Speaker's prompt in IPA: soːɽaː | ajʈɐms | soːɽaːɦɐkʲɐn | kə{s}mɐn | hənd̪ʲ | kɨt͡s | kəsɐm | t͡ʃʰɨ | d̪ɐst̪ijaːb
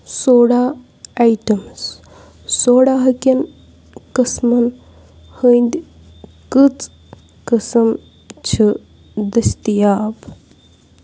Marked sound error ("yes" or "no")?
no